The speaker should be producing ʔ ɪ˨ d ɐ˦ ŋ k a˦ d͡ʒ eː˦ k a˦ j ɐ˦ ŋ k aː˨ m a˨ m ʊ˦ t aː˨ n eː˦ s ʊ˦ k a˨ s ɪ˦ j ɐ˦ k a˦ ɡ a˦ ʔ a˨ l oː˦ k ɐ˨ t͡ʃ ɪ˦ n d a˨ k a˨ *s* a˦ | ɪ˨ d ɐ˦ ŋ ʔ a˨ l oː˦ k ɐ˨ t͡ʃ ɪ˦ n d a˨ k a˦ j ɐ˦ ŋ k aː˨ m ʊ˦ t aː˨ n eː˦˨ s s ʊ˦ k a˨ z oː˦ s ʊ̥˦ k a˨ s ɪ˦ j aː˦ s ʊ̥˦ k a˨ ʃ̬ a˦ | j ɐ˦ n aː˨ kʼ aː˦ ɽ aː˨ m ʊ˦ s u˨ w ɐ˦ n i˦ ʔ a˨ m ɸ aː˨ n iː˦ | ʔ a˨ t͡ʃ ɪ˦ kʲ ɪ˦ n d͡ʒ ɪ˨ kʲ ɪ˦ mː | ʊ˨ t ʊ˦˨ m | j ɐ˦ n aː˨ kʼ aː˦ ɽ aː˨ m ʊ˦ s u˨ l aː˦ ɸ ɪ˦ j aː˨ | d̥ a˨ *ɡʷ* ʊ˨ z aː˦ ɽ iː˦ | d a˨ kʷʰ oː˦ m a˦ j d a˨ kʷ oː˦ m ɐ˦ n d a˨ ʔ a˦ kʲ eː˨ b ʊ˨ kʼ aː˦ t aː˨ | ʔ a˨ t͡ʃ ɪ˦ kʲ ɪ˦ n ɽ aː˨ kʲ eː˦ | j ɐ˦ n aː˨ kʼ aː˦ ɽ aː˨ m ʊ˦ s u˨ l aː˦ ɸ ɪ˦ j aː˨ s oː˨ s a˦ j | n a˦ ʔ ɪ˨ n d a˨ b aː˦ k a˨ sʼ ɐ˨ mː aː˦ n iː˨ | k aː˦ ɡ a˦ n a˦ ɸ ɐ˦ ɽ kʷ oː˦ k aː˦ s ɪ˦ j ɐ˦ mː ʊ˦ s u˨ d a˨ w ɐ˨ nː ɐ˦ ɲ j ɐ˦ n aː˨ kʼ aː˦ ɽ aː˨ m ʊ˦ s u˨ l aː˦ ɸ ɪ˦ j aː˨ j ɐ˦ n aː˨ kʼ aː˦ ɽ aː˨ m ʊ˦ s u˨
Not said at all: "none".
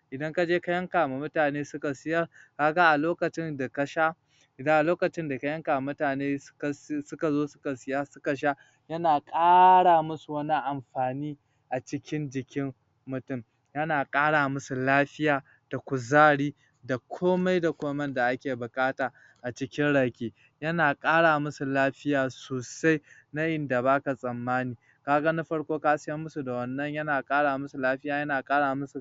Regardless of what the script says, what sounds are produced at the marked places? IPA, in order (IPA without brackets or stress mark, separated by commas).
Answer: ʃ, kʷ